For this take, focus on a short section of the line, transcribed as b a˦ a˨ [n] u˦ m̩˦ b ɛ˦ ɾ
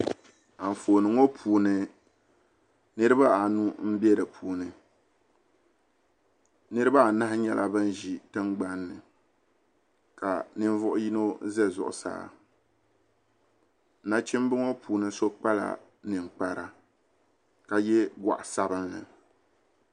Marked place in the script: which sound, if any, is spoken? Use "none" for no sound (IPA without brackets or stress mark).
n